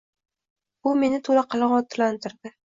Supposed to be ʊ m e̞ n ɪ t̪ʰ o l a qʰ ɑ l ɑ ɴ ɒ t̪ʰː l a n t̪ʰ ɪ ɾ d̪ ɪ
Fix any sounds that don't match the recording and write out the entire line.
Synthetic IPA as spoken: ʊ m e̞ n ɪ t̪ʰ o l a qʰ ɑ l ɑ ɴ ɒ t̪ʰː l a n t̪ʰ ɪ ɾ d̪ ɪ